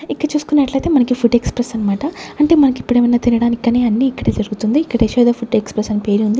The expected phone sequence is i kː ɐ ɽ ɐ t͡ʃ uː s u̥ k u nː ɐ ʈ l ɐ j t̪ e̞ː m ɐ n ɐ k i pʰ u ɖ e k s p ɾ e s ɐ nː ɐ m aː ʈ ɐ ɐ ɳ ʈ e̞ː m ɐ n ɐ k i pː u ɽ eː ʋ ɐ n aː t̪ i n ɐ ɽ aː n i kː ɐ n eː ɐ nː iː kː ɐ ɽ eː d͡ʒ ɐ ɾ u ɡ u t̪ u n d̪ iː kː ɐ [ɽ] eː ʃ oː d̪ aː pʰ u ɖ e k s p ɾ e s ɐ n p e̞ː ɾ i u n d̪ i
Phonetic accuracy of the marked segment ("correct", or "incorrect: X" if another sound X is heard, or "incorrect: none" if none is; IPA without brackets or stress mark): correct